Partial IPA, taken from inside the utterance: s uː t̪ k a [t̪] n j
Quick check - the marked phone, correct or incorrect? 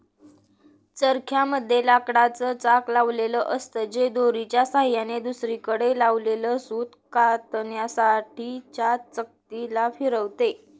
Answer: correct